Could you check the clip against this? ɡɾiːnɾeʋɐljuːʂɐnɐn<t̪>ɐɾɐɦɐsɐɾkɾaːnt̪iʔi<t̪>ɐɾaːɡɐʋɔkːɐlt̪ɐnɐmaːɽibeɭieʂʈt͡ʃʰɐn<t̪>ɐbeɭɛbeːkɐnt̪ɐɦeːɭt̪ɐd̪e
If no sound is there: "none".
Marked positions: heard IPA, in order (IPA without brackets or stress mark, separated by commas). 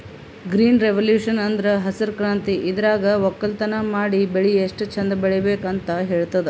d̪, d̪, d̪